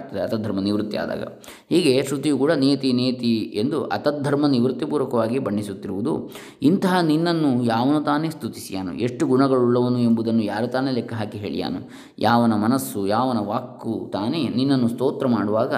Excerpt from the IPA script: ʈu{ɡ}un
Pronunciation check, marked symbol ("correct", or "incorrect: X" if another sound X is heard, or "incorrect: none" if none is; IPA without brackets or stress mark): correct